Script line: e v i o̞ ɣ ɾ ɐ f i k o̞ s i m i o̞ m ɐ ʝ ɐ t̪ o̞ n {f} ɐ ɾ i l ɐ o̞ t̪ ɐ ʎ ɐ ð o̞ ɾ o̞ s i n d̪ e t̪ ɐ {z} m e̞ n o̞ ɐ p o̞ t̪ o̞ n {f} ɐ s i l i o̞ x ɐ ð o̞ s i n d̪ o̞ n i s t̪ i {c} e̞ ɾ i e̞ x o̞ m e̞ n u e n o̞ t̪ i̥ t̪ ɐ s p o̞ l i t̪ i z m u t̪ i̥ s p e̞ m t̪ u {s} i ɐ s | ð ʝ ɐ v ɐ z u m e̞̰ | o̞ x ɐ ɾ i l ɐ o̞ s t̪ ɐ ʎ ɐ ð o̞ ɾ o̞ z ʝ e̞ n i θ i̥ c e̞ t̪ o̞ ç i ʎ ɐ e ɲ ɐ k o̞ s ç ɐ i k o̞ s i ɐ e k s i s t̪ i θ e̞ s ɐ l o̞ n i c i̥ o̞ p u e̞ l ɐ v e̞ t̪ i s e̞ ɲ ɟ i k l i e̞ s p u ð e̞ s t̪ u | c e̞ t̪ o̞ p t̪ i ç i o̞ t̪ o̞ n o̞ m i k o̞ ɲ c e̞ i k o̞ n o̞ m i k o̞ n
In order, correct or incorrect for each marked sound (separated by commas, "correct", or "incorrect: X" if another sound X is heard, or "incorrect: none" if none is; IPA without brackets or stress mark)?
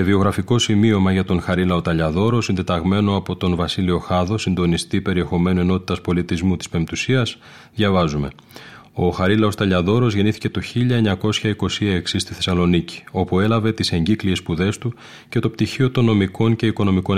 incorrect: x, incorrect: ɣ, incorrect: v, incorrect: p, correct